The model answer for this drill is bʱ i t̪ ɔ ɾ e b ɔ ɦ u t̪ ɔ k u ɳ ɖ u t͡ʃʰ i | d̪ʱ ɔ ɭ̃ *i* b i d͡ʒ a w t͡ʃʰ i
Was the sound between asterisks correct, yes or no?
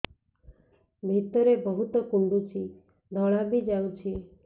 no